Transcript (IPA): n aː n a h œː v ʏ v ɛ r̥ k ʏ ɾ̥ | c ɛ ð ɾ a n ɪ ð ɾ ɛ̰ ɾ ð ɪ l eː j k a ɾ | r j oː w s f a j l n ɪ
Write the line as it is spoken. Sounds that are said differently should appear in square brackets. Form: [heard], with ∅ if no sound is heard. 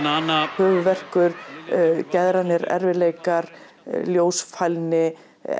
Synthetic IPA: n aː n a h œː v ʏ v ɛ r̥ k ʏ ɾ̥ | c ɛ ð ɾ a n ɪ [∅] ɾ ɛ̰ ɾ [v] ɪ l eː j k a ɾ | [l] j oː w s f a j l n ɪ